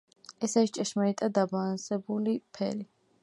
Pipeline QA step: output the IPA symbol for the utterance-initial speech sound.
ɛ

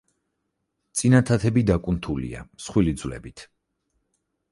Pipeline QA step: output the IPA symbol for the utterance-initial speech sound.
t̪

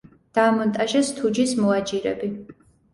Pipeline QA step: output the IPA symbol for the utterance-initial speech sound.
d̪̥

